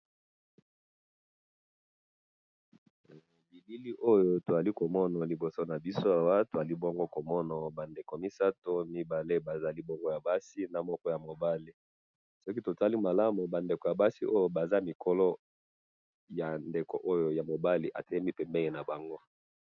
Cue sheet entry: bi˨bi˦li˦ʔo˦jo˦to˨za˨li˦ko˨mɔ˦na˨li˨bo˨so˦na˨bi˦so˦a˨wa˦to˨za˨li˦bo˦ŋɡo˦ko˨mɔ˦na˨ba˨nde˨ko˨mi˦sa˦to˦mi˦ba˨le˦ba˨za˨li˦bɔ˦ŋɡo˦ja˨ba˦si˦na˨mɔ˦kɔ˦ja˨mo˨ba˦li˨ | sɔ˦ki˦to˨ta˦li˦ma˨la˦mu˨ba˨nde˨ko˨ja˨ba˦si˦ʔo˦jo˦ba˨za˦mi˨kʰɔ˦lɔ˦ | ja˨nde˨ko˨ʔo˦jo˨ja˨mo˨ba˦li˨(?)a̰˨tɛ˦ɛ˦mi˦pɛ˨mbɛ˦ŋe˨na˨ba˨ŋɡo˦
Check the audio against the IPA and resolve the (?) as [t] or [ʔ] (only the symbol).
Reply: ʔ